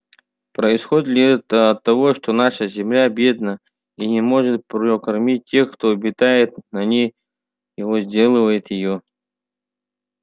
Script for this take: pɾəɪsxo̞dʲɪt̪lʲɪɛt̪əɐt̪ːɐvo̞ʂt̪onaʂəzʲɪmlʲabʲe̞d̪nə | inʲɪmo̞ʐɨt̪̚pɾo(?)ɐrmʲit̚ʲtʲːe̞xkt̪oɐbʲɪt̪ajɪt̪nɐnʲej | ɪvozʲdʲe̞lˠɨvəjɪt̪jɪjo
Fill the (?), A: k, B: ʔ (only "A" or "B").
A